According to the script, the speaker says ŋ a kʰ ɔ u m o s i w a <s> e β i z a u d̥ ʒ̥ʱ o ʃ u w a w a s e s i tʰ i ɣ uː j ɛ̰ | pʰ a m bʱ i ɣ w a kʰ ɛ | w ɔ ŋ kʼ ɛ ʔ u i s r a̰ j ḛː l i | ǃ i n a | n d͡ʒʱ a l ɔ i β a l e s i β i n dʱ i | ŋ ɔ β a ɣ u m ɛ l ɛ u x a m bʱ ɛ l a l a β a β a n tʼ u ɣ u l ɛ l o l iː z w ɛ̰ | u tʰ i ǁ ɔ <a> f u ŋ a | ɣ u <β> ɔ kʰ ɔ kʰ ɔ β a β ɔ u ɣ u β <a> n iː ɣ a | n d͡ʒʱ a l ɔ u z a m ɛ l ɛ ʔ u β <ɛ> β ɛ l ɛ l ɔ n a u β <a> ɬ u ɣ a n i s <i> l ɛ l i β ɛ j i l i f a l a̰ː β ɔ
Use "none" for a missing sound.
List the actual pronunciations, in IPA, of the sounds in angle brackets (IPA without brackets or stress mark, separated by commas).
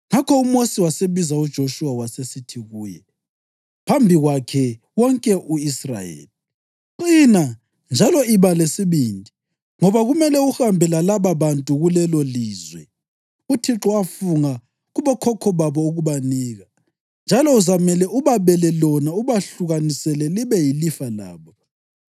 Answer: s, a, β, a, a, a, ɛ